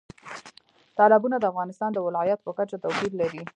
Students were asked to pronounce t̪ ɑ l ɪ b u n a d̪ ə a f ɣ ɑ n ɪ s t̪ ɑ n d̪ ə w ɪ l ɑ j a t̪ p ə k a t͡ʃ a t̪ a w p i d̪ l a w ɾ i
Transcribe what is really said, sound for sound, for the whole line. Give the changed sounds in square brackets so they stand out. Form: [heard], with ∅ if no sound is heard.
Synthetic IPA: t̪ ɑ l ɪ b u n a d̪ ə a f ɣ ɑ n ɪ s t̪ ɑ n d̪ ə w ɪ l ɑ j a t̪ p ə k a t͡ʃ a t̪ a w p i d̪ l a [∅] ɾ i

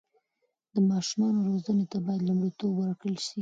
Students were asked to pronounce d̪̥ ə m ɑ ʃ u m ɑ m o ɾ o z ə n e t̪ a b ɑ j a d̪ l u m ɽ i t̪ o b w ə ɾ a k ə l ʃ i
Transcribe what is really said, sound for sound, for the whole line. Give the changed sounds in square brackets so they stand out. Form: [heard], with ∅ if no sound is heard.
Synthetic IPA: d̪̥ ə m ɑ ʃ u m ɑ [n] o ɾ o z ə n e t̪ a b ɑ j a d̪ l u m ɽ i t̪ o b w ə ɾ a k ə l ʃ i

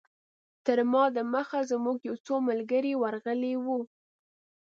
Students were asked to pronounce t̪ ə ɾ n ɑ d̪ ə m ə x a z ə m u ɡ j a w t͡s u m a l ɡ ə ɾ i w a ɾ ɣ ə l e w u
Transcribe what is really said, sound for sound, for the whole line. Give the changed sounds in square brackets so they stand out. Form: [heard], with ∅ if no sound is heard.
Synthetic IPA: t̪ ə ɾ [m] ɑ d̪ ə m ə x a z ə m u ɡ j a w t͡s [o] m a l ɡ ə ɾ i w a ɾ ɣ ə l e w u

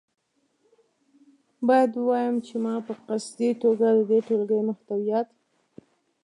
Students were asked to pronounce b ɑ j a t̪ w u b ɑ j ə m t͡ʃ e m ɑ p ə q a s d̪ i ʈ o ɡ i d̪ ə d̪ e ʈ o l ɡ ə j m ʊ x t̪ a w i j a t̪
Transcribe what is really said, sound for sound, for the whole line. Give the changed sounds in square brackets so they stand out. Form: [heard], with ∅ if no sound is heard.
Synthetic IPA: b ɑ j a [d̪] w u [w] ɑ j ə m t͡ʃ e m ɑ p ə q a s d̪ i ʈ o ɡ [a] d̪ ə d̪ e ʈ o l ɡ ə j m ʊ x t̪ a w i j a t̪

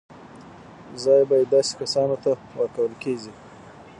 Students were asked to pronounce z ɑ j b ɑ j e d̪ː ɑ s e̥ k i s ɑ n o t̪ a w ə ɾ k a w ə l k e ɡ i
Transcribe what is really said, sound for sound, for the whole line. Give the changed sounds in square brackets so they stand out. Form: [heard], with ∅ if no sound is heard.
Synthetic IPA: z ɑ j b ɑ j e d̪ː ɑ s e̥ k [a] s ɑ n o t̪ a w ə ɾ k a w ə l k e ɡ i

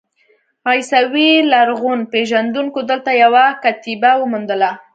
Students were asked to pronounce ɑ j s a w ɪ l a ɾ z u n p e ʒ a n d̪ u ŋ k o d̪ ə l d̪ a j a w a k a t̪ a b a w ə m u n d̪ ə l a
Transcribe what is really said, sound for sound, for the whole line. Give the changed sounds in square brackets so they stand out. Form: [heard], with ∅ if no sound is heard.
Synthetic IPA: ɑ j s a w [i] l a ɾ [ɣ] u n p e ʒ a n d̪ u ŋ k o d̪ ə l [t̪] a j a w a k a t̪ [i] b a w ə m u n d̪ ə l a

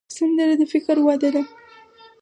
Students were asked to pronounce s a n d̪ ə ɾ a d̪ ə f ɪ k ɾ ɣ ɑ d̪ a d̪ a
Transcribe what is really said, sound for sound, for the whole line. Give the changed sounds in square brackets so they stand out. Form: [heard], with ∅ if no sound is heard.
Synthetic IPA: s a n d̪ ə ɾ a d̪ ə f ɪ k ɾ [w] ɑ d̪ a d̪ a

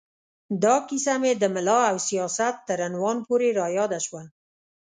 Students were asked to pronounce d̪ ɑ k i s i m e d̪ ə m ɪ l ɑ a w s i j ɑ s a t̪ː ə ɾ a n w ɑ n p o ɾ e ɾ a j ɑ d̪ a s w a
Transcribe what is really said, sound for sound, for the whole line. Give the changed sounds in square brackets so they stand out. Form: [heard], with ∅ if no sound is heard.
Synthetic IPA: d̪ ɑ k i s [a] m e d̪ ə m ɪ l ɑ a w s i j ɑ s a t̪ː ə ɾ a n w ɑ n p o ɾ e ɾ [ɑ] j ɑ d̪ a [ʃ] w a

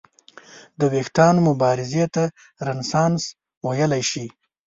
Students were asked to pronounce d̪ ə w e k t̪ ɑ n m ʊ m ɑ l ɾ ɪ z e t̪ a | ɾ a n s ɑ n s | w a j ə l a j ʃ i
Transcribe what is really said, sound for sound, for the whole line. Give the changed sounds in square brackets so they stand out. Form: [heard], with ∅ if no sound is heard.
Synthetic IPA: d̪ ə w e [x] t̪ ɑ n m ʊ [b] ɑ [∅] ɾ ɪ z e t̪ a | ɾ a n s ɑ n s | w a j ə l a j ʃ i

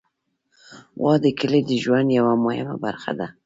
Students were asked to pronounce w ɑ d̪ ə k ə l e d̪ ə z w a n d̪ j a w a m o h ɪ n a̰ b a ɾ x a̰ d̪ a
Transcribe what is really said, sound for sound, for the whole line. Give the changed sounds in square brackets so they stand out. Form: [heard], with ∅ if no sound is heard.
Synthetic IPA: w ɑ d̪ ə k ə l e d̪ ə [ʒ] w a n d̪ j a w a m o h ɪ [m] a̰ b a ɾ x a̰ d̪ a

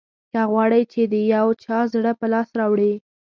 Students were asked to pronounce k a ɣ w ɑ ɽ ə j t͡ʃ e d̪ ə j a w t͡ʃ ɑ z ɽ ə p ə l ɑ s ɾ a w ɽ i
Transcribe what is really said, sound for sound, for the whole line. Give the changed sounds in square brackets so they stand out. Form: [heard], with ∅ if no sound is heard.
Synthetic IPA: k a ɣ w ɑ ɽ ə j t͡ʃ e d̪ ə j a w t͡ʃ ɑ z ɽ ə p ə l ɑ s ɾ [ɑ] w ɽ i

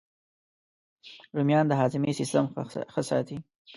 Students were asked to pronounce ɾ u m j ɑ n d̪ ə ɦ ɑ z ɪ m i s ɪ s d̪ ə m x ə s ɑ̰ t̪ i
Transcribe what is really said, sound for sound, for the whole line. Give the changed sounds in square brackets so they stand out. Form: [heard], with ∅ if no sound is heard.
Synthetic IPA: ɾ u m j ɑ n d̪ ə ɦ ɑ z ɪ m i s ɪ s [t̪] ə m x ə s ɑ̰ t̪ i

